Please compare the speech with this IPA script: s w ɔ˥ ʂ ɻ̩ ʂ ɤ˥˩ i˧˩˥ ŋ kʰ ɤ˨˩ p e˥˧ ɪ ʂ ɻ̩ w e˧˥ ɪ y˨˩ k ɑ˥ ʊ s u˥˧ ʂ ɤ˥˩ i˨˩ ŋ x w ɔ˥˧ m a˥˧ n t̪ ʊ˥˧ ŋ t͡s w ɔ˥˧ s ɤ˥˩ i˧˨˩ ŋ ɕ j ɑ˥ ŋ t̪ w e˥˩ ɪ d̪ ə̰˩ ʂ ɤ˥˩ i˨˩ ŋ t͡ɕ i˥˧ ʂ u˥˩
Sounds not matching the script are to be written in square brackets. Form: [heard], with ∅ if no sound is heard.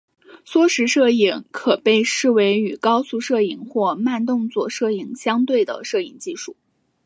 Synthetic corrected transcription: s w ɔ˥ ʂ ɻ̩ ʂ ɤ˥˩ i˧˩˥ ŋ kʰ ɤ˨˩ p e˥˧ ɪ ʂ ɻ̩ w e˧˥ ɪ y˨˩ k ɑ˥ ʊ s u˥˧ ʂ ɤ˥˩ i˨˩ ŋ x w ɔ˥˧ m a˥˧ n t̪ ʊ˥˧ ŋ t͡s w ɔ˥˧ [ʂ] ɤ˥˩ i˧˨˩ ŋ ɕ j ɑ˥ ŋ t̪ w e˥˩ ɪ d̪ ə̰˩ ʂ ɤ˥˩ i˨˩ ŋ t͡ɕ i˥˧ ʂ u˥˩